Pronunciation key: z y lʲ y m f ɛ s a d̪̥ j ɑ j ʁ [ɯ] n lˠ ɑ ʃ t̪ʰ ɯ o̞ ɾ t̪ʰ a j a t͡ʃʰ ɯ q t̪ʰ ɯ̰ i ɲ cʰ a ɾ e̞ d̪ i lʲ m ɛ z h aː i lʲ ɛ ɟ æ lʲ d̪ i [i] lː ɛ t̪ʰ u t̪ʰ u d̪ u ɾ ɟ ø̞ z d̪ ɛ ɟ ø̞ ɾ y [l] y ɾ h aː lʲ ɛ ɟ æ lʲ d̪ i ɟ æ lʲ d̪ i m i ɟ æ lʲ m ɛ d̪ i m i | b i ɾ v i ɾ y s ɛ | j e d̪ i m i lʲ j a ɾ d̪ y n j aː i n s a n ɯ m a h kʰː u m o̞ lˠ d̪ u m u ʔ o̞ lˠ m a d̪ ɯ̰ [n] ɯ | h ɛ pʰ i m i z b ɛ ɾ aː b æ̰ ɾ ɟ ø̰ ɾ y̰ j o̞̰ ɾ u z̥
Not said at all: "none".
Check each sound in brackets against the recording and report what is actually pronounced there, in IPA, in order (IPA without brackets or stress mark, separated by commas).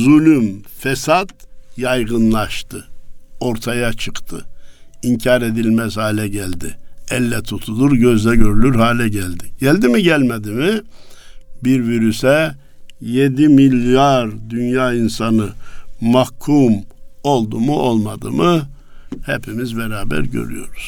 ɯ, ɛ, l, m